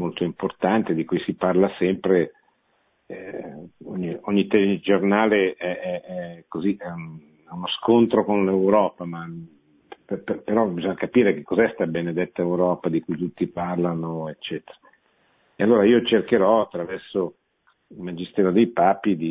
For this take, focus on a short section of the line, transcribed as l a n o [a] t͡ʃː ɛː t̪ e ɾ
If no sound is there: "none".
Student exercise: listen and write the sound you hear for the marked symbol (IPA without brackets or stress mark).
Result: e